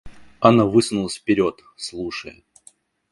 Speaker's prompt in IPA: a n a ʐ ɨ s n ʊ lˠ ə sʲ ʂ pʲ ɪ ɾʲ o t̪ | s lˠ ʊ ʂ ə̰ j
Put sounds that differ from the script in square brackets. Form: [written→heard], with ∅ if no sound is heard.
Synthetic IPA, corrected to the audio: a n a [ʐ→v] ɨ s n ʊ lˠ ə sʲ [ʂ→f] pʲ ɪ ɾʲ o t̪ | s lˠ [ʊ→u] ʂ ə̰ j